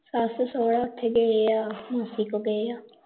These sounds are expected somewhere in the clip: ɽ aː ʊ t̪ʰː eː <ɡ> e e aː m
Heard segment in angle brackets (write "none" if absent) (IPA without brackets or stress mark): ɡ